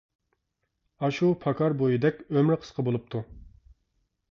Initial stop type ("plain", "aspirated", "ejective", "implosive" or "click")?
aspirated